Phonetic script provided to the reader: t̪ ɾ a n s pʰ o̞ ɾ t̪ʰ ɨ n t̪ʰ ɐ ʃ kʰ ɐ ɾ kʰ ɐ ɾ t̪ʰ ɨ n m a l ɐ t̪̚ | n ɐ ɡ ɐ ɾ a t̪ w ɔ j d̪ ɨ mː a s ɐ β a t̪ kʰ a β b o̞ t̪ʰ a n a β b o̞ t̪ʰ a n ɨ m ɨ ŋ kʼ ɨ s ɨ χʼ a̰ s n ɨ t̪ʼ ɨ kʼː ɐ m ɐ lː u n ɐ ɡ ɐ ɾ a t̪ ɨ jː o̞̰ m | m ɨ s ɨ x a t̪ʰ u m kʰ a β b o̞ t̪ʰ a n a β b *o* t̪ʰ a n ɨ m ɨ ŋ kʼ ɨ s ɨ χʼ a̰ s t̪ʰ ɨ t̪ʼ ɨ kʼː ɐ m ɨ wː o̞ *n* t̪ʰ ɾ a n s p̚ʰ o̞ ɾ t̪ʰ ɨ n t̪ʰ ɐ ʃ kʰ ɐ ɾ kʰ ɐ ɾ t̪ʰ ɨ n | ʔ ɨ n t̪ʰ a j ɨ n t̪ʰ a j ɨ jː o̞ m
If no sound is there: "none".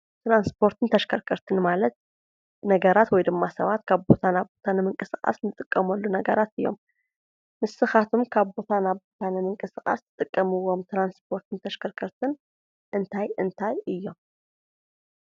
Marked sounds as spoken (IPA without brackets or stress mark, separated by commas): o, m